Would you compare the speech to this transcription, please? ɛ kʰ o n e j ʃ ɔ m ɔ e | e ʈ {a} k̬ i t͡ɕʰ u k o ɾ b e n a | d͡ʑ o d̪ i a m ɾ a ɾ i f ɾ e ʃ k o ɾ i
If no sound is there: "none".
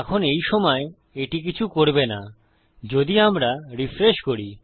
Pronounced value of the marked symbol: i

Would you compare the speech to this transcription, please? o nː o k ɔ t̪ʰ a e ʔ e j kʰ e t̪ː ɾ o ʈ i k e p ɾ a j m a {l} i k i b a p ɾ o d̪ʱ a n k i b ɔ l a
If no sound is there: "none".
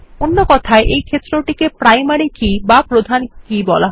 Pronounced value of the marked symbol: ɾ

